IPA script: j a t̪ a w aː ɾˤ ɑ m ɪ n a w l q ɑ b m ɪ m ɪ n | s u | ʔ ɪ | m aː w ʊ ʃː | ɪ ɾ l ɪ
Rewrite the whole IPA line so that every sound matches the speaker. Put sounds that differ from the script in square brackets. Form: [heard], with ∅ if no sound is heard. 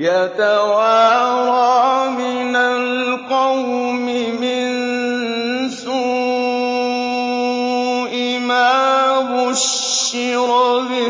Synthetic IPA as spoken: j a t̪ a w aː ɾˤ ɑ m ɪ n a [∅] l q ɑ [w] m ɪ m ɪ n | s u | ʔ ɪ | m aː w ʊ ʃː | ɪ ɾ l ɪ